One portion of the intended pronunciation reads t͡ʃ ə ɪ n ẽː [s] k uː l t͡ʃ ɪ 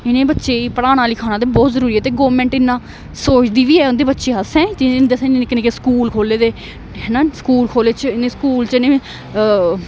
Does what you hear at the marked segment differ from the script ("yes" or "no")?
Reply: no